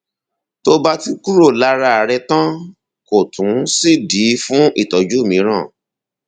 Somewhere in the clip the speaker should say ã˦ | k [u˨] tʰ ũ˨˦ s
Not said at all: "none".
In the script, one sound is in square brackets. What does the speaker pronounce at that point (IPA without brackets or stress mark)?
o˨